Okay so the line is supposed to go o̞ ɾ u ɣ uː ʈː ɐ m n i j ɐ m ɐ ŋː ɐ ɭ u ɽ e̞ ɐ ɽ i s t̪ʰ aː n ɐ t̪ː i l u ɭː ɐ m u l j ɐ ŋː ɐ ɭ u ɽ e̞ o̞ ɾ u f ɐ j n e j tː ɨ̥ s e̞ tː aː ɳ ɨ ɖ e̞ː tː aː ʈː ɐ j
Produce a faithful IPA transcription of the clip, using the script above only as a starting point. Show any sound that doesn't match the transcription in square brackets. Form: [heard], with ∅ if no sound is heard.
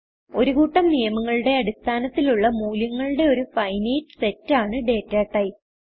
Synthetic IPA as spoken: o̞ ɾ u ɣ uː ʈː ɐ m n i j ɐ m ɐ ŋː ɐ ɭ u ɽ e̞ ɐ ɽ i s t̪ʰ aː n ɐ t̪ː i l u ɭː ɐ m [uː] l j ɐ ŋː ɐ ɭ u ɽ e̞ o̞ ɾ u f ɐ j n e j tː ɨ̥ s e̞ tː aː ɳ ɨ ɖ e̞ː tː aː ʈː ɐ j